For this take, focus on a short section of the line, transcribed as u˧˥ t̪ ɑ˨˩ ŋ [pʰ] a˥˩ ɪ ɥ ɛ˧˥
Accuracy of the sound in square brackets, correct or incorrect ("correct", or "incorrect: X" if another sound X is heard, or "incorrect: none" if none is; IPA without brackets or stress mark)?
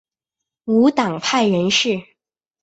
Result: correct